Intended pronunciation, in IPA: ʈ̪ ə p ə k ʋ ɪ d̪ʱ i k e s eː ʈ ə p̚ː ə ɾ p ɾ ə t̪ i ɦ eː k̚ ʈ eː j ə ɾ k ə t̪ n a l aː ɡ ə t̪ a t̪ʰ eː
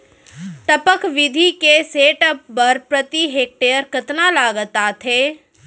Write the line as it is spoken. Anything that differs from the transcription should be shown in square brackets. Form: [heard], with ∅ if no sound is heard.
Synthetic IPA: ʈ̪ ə p ə k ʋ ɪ d̪ʱ i k e s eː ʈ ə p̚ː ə ɾ p ɾ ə t̪ i ɦ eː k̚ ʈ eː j ə ɾ k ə t̪ n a l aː ɡ ə t̪ a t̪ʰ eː